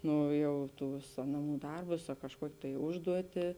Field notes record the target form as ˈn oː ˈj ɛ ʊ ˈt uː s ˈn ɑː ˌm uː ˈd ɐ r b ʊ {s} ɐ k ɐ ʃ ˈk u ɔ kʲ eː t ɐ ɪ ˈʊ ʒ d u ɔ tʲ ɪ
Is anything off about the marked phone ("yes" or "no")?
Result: no